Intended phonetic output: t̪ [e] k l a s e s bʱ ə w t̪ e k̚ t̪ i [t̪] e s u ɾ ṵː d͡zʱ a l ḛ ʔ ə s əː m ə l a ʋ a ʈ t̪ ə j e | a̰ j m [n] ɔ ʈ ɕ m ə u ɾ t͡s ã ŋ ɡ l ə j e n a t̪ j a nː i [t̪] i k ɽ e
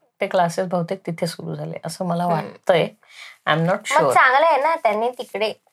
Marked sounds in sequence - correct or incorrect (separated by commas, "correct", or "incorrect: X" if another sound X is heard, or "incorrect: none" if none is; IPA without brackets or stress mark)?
correct, incorrect: t̪ʰ, correct, correct